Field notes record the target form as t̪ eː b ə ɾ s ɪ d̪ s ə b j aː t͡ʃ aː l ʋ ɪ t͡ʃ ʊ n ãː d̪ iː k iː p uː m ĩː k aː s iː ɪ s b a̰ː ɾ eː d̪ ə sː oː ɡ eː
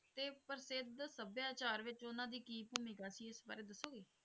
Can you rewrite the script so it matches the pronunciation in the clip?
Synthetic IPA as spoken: t̪ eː p ə ɾ s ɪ d̪ s ə b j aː t͡ʃ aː ɾ ʋ ɪ t͡ʃ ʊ n ãː d̪ iː k iː p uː m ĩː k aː s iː ɪ s b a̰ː ɾ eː d̪ ə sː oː ɡ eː